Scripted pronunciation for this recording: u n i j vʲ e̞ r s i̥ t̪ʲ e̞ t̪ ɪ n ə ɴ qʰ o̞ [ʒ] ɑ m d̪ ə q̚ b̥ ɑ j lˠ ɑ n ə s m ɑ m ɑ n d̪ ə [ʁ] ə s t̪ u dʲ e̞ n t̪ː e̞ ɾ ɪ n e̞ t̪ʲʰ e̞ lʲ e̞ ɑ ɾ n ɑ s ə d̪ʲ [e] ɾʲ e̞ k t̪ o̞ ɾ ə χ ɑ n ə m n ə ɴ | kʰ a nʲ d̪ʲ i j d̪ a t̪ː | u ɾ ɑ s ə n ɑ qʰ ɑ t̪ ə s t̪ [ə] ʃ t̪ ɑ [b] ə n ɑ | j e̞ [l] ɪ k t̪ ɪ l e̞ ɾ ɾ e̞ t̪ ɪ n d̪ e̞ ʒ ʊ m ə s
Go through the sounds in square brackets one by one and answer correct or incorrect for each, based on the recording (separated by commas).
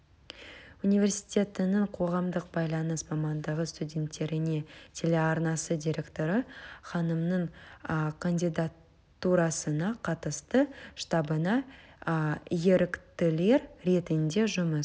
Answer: incorrect, correct, incorrect, correct, correct, incorrect